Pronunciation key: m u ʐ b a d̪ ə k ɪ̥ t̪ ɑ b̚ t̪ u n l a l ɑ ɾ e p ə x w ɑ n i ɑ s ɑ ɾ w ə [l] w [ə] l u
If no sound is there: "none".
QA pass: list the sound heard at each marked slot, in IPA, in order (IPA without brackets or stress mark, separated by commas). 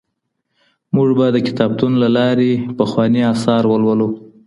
l, ə